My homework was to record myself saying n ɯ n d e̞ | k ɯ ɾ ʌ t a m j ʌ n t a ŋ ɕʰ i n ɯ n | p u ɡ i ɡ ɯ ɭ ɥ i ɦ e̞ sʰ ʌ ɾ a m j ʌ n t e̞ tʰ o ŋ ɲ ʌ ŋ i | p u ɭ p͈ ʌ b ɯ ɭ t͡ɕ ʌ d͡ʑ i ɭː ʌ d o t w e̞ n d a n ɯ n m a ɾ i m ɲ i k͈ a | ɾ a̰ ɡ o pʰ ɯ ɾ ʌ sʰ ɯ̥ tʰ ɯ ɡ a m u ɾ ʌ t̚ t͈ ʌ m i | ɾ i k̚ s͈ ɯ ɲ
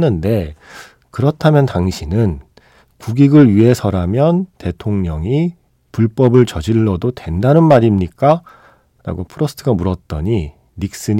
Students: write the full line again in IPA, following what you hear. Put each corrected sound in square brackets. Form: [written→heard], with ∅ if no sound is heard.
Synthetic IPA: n ɯ n d e̞ | k ɯ ɾ ʌ [t→tʰ] a m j ʌ n t a ŋ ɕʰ i n ɯ n | [p→k] u ɡ i ɡ ɯ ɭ ɥ i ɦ e̞ sʰ ʌ ɾ a m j ʌ n t e̞ tʰ o ŋ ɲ ʌ ŋ i | p u ɭ p͈ ʌ b ɯ ɭ t͡ɕ ʌ d͡ʑ i ɭː ʌ d o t w e̞ n d a n ɯ n m a ɾ i m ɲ i k͈ a | ɾ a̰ ɡ o pʰ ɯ ɾ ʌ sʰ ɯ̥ tʰ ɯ ɡ a m u ɾ ʌ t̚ t͈ ʌ [m→ɲ] i | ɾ i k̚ s͈ ɯ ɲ